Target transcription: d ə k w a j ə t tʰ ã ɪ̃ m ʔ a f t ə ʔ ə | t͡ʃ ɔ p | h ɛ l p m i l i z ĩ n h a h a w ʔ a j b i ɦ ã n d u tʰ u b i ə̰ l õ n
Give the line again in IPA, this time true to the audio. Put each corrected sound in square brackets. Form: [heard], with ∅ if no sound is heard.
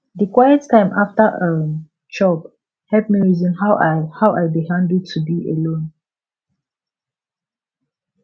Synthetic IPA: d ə k w a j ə t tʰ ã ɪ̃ m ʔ a f t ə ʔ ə | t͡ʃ ɔ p | h ɛ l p m i [ɹ] i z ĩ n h a h a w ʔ a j b i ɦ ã n d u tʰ u b i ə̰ l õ n